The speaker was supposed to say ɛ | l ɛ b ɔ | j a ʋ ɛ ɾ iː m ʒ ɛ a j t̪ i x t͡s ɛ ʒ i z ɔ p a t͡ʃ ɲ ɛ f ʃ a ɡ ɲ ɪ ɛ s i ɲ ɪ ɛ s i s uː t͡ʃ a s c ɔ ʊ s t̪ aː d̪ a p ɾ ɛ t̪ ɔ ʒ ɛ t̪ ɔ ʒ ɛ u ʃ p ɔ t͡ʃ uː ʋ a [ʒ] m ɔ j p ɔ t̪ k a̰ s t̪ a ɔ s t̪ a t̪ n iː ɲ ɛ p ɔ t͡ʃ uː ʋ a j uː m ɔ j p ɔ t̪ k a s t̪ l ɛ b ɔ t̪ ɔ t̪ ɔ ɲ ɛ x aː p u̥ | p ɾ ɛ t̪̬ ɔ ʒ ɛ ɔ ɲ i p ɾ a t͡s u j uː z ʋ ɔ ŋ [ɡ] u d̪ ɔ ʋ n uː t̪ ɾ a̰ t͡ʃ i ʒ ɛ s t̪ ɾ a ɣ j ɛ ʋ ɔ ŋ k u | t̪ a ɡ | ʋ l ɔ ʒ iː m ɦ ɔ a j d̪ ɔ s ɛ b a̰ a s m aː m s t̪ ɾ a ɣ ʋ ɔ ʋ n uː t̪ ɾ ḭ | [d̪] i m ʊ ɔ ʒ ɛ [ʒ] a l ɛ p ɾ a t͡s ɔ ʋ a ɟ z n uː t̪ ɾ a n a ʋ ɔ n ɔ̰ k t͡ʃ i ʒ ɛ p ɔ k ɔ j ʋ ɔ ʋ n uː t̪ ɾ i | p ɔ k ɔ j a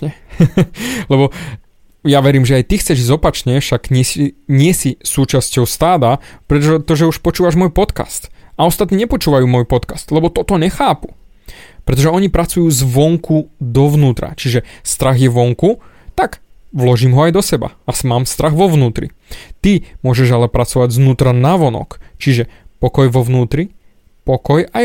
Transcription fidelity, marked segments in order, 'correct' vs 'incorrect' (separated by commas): correct, incorrect, incorrect, correct